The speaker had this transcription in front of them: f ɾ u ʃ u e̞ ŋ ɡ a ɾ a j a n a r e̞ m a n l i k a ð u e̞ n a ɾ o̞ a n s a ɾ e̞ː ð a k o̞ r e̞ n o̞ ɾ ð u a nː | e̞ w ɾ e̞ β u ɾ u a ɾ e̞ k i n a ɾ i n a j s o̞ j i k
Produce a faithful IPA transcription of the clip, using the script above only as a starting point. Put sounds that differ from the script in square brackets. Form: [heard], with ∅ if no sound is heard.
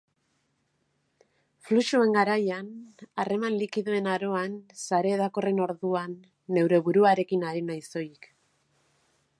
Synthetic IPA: f [l] u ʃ u e̞ ŋ ɡ a ɾ a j a n a r e̞ m a n l i k [i] ð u e̞ n a ɾ o̞ a n s a ɾ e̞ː ð a k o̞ r e̞ n o̞ ɾ ð u a nː | e̞ w ɾ e̞ β u ɾ u a ɾ e̞ k i n a ɾ i n a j s o̞ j i k